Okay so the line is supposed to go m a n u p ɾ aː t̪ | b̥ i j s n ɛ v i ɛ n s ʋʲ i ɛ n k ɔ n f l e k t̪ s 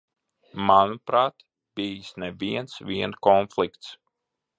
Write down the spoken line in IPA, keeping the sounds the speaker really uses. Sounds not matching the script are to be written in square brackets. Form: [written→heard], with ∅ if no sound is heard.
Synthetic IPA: m a n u p ɾ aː t̪ | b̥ i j s n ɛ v i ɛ n s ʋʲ i ɛ n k ɔ n f l [e→i] k t̪ s